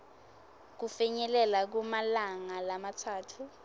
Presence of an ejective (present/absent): absent